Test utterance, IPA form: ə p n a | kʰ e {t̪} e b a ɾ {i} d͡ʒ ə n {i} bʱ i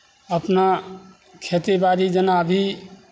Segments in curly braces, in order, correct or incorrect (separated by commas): correct, correct, incorrect